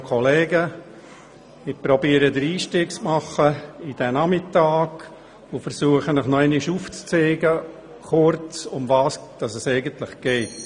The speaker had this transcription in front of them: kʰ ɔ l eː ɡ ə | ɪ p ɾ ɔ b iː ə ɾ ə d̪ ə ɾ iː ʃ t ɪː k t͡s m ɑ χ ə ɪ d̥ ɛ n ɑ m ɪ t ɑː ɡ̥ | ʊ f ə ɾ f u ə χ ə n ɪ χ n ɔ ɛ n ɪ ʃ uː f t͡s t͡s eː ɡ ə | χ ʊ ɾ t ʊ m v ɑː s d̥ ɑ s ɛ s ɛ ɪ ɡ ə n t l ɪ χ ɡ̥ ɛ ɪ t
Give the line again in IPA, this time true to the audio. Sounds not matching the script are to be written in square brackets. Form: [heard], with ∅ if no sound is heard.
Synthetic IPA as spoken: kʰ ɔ l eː ɡ ə | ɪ p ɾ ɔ b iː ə ɾ ə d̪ ə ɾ iː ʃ t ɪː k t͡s m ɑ χ ə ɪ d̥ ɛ n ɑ m ɪ t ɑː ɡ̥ | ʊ f ə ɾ [s] u ə χ ə n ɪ χ n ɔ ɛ n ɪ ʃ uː f t͡s t͡s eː ɡ ə | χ ʊ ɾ [t͡s] ʊ m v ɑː s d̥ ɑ s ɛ s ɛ ɪ ɡ ə n t l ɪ χ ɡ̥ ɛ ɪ t